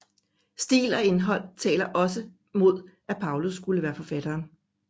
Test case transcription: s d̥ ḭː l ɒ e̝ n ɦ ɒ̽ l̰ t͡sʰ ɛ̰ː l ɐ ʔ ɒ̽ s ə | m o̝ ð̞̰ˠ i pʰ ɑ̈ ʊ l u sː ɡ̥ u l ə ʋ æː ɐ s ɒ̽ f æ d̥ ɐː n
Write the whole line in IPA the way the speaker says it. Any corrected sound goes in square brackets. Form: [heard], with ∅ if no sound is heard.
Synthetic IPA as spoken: s d̥ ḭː l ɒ e̝ n ɦ ɒ̽ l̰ t͡sʰ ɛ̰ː l ɐ ʔ ɒ̽ s ə | m o̝ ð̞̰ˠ [æ] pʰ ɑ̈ ʊ l u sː ɡ̥ u l ə ʋ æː ɐ [f] ɒ̽ f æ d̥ ɐː n